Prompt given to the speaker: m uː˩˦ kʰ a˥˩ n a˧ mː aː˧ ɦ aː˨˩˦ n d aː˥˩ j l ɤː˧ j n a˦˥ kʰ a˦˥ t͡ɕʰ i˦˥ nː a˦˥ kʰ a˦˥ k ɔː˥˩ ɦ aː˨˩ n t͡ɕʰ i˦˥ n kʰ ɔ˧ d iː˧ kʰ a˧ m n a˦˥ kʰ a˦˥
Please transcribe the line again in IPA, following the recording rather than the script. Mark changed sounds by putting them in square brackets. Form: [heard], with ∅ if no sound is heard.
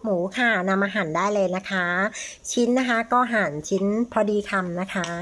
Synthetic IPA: m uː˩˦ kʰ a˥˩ n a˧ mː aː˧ ɦ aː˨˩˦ n d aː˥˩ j l ɤː˧ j n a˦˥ kʰ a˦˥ t͡ɕʰ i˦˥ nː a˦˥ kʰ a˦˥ k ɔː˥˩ ɦ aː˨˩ n t͡ɕʰ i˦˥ n [pʰ] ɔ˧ d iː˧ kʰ a˧ m n a˦˥ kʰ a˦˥